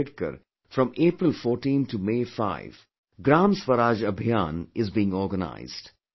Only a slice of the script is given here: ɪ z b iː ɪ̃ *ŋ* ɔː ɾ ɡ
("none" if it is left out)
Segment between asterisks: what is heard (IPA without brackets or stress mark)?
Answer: ŋ